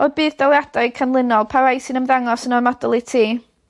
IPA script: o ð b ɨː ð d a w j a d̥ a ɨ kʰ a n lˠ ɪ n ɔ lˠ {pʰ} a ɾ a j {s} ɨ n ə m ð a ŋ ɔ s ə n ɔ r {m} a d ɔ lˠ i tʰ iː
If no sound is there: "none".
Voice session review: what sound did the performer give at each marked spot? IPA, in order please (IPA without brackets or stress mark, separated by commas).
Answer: pʰ, s, m